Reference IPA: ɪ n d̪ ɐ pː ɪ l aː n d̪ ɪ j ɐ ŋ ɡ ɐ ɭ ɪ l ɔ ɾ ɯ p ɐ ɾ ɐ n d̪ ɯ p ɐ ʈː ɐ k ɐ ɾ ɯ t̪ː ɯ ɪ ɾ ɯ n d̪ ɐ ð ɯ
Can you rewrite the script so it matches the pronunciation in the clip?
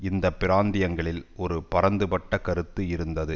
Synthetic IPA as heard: ɪ n d̪ ɐ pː ɪ ɾ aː n d̪ ɪ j ɐ ŋ ɡ ɐ ɭ ɪ l ɔ ɾ ɯ p ɐ ɾ ɐ n d̪ ɯ p ɐ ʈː ɐ k ɐ ɾ ɯ t̪ː ɯ ɪ ɾ ɯ n d̪ ɐ ð ɯ